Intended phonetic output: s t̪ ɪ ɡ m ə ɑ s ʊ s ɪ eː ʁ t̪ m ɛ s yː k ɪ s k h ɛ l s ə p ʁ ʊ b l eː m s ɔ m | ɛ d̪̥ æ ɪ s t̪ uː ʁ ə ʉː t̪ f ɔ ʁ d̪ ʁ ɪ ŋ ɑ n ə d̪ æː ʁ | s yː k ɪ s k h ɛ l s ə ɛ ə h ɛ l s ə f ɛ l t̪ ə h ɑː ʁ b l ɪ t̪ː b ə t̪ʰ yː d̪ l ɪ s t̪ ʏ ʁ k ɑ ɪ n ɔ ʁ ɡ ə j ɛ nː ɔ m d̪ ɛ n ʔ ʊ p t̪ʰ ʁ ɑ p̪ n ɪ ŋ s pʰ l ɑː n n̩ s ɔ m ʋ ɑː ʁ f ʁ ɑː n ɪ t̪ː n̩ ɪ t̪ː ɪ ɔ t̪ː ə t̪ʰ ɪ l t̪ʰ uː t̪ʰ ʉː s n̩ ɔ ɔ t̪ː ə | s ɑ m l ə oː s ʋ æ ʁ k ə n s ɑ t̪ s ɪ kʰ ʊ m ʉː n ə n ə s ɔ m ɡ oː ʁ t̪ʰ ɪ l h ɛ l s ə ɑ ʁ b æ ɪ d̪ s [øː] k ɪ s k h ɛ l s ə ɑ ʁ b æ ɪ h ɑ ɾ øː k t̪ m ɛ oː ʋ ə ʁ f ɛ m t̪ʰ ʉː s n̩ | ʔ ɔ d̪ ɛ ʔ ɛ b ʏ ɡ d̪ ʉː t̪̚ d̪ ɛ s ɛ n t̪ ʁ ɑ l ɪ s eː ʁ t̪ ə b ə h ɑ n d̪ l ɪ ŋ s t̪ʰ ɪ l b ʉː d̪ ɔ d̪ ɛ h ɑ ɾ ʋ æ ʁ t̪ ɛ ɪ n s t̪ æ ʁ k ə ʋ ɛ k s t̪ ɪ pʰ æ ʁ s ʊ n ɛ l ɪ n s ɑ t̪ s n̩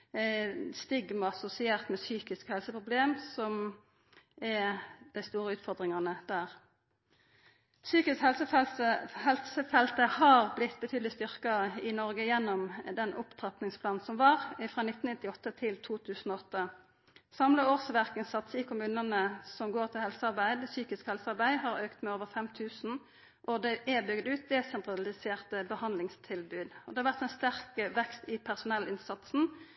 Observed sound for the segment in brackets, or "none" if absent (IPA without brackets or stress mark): yː